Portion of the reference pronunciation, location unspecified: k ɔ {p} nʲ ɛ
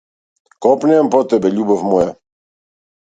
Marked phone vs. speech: correct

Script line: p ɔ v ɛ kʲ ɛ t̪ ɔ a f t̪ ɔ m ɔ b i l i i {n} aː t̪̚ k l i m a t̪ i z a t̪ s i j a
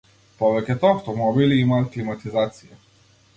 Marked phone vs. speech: incorrect: m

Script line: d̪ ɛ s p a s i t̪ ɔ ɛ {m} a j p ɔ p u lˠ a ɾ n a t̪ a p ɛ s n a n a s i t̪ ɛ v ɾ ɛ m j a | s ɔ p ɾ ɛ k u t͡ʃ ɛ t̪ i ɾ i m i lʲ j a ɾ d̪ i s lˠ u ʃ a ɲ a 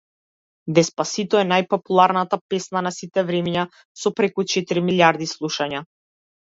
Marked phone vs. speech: incorrect: n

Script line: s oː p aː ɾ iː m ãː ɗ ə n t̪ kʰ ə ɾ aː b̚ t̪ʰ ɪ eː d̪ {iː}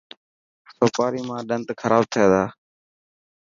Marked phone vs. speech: incorrect: aː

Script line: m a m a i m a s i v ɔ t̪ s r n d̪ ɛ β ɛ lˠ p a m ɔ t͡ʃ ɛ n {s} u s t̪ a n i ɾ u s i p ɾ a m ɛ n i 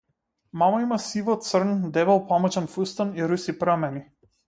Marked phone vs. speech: incorrect: f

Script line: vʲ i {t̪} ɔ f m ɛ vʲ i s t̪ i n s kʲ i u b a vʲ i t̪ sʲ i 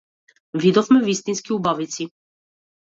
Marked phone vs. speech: incorrect: d̪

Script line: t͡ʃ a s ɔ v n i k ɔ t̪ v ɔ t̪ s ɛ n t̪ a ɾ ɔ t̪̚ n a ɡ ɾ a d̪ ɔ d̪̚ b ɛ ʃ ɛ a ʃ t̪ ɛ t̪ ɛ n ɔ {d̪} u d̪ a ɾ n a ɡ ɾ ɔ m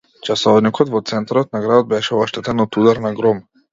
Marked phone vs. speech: incorrect: t̪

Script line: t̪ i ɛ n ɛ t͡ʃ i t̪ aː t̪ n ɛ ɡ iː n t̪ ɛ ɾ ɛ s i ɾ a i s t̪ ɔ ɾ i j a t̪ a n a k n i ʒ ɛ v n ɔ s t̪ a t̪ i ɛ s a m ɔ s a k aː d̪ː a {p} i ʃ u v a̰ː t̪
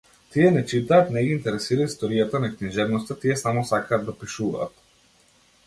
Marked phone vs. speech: correct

